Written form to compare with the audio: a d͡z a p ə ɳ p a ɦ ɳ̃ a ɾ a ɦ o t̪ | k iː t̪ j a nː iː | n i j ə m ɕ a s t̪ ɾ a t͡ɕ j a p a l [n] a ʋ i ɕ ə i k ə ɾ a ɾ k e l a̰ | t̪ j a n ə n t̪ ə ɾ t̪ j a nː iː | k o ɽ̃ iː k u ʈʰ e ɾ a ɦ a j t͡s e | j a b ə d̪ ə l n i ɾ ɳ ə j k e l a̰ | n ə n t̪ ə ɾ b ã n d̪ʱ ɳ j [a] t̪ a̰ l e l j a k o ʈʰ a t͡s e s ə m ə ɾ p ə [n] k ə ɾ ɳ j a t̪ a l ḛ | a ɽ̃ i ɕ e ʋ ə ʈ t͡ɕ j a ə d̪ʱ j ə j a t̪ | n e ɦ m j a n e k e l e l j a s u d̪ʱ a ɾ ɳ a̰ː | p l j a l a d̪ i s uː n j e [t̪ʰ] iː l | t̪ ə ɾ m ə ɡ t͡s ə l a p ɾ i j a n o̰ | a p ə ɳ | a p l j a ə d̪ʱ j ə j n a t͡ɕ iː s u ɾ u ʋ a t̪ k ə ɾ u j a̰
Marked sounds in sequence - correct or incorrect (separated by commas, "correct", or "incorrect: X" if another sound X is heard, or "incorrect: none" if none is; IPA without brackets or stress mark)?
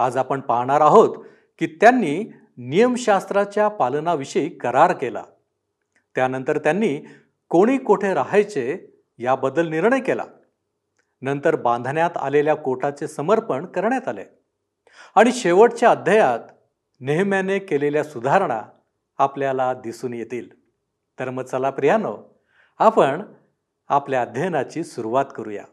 correct, correct, incorrect: ɳ, incorrect: t̪